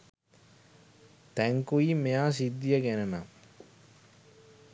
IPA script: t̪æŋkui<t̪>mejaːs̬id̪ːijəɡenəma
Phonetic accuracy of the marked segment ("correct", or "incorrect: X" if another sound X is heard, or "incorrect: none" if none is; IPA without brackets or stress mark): incorrect: none